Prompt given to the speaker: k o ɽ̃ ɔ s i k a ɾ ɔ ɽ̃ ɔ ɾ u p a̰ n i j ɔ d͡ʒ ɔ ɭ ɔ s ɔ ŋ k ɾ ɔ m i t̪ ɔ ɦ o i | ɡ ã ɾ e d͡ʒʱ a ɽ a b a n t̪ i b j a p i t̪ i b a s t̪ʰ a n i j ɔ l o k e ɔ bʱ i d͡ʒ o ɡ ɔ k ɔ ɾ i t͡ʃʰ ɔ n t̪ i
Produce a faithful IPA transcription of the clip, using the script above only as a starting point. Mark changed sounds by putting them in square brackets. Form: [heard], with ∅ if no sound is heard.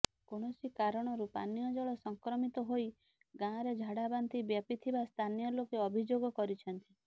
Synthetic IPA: k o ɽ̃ ɔ s i k a ɾ ɔ ɽ̃ ɔ ɾ u p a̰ n i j ɔ d͡ʒ ɔ ɭ ɔ s ɔ ŋ k ɾ ɔ m i t̪ ɔ ɦ o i | ɡ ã ɾ e d͡ʒʱ a ɽ a b a n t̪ i b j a p i [t̪ʰ] i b a s t̪ʰ a n i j ɔ l o k e ɔ bʱ i d͡ʒ o ɡ ɔ k ɔ ɾ i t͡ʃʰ ɔ n t̪ i